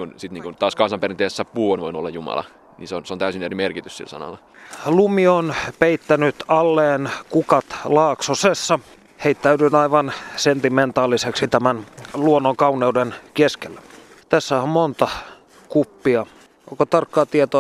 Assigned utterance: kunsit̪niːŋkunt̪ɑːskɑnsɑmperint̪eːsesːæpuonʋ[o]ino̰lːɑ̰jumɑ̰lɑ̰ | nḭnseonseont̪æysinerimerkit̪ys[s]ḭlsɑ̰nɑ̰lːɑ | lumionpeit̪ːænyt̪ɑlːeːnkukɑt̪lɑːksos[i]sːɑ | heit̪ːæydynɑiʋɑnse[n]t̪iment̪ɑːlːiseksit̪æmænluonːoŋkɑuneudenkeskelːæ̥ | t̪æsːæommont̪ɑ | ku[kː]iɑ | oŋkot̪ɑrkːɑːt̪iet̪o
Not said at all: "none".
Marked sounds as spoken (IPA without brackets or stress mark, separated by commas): o, s, e, n, pː